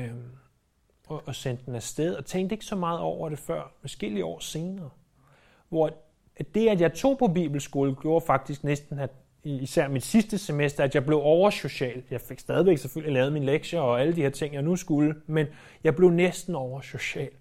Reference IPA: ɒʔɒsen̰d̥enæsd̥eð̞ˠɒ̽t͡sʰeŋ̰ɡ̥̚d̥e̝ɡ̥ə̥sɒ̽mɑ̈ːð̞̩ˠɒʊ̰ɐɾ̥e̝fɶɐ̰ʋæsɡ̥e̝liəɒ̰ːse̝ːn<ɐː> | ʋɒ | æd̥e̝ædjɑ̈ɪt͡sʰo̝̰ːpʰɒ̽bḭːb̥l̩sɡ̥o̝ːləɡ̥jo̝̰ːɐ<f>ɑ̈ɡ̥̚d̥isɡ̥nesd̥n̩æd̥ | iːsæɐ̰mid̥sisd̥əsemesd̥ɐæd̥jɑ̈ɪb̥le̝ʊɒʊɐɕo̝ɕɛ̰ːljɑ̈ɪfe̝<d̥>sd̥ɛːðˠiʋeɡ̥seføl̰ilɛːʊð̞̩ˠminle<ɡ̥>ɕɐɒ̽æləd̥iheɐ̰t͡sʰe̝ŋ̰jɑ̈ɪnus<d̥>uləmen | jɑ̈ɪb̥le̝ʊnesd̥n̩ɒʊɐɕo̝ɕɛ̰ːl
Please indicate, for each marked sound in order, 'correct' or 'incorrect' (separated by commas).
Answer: correct, correct, incorrect, correct, incorrect